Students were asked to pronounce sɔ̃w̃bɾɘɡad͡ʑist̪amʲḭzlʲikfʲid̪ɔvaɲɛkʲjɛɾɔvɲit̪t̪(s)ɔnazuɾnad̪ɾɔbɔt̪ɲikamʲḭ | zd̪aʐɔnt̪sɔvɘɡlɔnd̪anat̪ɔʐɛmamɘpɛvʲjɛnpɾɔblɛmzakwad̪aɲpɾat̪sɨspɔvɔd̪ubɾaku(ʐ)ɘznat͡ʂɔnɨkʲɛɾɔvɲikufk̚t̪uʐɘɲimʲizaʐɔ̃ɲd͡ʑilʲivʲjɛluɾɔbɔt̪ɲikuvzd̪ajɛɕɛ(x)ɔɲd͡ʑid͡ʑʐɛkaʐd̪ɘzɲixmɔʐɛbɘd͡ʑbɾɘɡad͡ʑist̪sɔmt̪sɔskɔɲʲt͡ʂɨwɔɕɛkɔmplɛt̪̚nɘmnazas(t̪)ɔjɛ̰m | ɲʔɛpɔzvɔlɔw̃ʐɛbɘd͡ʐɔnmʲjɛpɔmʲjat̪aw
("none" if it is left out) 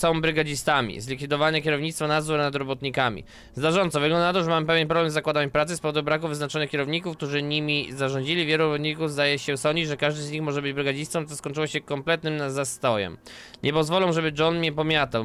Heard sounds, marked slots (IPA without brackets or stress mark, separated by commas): f, v, s, t̪